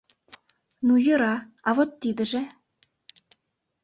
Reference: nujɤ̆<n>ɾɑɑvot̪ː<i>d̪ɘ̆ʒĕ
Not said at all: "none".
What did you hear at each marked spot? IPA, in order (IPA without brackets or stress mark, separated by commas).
none, i